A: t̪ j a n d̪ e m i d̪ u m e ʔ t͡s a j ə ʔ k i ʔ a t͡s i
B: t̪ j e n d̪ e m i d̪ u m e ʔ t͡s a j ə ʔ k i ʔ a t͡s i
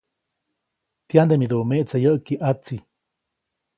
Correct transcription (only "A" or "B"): A